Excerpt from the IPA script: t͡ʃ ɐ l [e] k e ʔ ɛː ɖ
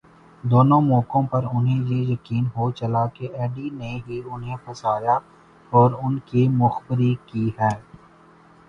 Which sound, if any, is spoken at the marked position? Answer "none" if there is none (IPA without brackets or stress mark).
a